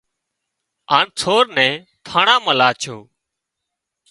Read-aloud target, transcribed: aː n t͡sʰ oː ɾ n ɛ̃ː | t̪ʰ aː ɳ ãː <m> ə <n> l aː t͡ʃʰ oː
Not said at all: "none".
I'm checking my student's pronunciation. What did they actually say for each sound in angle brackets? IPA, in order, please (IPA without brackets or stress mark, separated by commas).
m, none